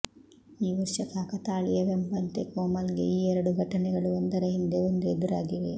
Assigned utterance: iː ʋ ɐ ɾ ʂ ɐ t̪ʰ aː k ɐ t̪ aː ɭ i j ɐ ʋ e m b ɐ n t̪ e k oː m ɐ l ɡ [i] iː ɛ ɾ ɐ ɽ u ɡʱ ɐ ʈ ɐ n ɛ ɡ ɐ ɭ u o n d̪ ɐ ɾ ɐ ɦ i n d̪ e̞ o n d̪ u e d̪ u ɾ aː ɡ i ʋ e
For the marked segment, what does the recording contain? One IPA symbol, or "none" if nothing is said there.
e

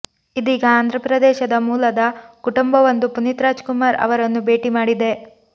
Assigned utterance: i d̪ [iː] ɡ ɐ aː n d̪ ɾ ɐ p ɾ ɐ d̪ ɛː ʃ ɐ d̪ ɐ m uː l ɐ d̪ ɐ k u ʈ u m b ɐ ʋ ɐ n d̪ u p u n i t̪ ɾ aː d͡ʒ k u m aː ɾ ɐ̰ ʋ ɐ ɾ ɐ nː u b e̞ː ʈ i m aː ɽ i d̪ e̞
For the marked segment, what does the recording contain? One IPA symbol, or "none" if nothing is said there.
iː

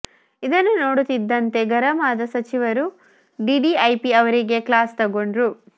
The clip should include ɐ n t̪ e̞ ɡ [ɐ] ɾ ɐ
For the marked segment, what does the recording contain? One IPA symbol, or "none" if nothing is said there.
ɐ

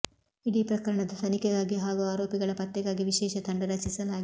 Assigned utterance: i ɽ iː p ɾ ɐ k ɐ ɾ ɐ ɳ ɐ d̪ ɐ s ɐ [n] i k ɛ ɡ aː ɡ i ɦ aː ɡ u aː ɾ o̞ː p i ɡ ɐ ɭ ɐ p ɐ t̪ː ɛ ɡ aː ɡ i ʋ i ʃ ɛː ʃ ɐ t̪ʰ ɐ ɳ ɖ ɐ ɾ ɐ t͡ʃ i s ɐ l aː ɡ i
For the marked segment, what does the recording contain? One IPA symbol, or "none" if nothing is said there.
n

